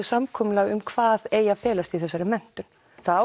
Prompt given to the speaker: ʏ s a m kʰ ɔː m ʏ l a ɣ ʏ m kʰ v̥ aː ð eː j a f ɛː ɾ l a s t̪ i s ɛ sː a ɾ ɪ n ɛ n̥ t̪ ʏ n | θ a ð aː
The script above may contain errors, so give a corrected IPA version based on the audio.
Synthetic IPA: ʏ s a m kʰ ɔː m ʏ l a ɣ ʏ m kʰ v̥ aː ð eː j a f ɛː l a s t̪ i θ ɛ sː a ɾ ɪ m ɛ n̥ t̪ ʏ n | θ a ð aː